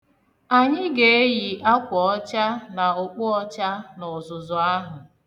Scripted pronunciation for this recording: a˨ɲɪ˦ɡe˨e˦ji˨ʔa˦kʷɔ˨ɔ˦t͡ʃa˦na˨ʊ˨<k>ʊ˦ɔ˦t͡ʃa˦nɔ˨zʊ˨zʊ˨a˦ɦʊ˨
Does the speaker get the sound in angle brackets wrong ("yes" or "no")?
yes